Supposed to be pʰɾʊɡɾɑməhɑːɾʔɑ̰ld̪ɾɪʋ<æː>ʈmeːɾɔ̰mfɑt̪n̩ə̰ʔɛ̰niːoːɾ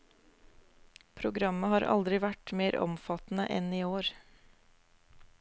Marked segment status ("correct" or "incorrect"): incorrect